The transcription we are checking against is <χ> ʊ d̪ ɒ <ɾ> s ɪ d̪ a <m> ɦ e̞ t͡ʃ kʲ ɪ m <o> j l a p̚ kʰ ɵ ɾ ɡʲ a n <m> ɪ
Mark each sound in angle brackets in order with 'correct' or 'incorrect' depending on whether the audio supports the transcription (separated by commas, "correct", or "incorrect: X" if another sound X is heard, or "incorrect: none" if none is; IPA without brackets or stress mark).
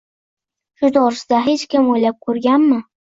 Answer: incorrect: ʃ, correct, incorrect: none, correct, correct